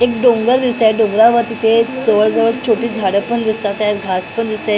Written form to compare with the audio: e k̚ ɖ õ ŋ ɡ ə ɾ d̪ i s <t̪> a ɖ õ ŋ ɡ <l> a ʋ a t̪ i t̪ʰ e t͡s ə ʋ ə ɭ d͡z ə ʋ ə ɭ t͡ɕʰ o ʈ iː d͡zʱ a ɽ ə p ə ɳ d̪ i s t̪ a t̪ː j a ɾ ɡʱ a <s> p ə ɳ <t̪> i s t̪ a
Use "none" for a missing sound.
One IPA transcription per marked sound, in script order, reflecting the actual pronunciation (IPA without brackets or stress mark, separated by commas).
t̪, ɾ, s, d̪